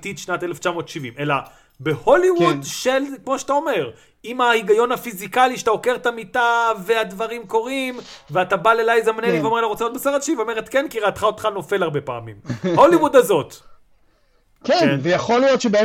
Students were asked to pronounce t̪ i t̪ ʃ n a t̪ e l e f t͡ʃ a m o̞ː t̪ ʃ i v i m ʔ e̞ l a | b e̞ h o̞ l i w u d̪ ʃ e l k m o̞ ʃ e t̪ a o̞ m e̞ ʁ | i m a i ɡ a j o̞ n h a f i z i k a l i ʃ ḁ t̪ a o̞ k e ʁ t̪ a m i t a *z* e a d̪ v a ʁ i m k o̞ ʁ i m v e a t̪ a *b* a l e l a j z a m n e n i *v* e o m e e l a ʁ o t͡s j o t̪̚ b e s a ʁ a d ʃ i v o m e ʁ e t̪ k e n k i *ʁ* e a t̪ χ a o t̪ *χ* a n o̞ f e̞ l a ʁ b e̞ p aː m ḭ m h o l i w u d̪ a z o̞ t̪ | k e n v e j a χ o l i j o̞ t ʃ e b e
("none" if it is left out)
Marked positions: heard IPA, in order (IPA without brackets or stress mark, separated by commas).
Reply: v, b, v, ʁ, χ